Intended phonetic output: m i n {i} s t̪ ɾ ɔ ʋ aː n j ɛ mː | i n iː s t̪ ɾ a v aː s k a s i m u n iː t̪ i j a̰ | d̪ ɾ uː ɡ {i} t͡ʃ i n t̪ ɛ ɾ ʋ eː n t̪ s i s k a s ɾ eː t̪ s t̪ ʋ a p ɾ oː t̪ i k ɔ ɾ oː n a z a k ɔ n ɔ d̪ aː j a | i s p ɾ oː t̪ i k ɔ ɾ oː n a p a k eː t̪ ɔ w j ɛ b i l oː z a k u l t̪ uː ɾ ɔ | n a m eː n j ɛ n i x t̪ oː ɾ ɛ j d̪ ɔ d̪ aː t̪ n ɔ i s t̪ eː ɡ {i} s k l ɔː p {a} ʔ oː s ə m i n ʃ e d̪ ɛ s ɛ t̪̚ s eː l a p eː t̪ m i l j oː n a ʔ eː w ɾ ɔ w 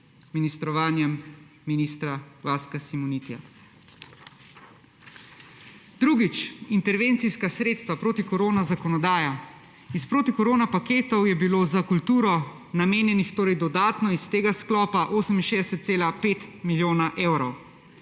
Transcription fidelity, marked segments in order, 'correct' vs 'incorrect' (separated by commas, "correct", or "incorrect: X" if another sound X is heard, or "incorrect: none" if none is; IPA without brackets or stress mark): correct, correct, incorrect: a, correct